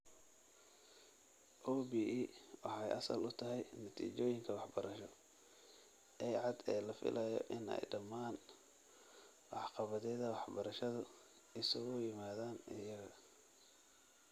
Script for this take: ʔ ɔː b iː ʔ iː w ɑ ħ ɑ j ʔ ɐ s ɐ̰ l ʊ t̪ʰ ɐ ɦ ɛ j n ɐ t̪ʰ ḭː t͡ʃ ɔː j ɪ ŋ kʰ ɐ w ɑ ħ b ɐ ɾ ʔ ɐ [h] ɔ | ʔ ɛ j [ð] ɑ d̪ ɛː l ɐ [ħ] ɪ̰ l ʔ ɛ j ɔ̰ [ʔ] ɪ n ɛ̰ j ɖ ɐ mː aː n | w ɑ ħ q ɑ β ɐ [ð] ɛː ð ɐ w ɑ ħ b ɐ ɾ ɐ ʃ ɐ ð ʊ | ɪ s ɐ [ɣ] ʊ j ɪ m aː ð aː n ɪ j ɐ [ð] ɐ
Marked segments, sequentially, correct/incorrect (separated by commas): incorrect, incorrect, incorrect, correct, correct, correct, incorrect